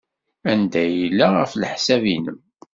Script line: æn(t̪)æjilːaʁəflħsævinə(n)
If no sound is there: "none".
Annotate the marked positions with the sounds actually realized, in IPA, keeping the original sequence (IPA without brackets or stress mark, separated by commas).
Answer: d̪, m